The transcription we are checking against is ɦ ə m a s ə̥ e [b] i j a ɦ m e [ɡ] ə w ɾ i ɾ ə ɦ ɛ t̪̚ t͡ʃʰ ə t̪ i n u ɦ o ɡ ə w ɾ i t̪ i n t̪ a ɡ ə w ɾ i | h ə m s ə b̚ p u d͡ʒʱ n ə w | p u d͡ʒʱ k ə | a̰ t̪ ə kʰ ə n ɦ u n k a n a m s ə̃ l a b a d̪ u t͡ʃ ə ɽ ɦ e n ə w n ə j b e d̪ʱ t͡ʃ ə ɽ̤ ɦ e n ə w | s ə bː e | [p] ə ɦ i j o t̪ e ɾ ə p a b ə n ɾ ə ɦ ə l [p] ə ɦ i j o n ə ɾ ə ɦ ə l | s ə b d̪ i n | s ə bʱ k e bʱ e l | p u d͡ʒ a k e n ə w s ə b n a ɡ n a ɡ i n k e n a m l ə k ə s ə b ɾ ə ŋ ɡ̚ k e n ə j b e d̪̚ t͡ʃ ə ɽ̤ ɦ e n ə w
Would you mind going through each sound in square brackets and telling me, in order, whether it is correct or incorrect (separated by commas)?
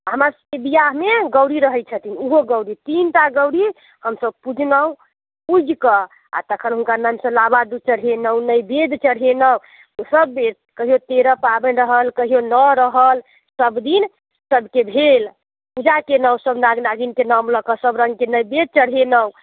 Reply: correct, correct, incorrect, incorrect